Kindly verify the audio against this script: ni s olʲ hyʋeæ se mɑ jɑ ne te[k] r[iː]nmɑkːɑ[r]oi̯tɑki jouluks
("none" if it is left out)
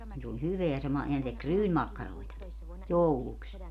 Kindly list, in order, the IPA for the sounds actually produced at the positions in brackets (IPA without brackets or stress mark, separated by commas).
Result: k, yː, r